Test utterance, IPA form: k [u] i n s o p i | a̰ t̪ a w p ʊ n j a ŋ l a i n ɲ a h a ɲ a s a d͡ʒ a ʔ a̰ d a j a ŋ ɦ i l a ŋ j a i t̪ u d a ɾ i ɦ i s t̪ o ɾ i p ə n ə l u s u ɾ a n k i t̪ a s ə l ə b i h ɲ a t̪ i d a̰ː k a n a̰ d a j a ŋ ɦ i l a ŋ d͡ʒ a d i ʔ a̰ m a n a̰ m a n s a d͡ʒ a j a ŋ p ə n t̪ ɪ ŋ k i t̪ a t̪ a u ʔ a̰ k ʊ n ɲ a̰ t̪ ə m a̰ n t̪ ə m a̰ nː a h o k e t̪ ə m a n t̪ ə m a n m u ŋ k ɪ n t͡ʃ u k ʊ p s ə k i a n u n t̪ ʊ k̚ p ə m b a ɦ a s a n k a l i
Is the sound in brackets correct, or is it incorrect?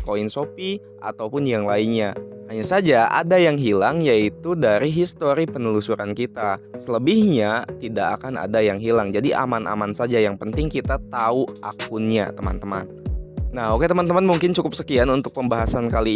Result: incorrect